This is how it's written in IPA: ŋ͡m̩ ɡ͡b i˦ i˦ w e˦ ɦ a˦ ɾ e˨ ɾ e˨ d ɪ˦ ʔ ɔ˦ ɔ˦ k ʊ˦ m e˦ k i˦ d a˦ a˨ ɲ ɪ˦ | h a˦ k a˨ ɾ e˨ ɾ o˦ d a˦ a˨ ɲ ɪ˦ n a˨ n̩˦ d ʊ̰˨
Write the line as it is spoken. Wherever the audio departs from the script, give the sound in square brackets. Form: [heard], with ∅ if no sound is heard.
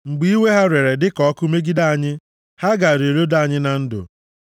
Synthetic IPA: ŋ͡m̩ ɡ͡b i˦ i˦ w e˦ ɦ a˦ ɾ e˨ ɾ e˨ d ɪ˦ [k] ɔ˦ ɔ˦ k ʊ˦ m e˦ [ɡ] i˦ d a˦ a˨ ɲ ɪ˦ | h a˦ [ɡ] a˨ ɾ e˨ ɾ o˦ d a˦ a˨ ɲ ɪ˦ n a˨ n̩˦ d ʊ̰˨